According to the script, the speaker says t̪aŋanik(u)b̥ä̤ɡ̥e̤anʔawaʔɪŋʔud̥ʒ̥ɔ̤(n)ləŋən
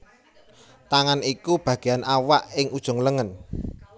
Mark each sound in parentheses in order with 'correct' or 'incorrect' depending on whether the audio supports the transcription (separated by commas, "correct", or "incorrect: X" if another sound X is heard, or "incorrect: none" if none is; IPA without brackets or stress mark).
correct, incorrect: ŋ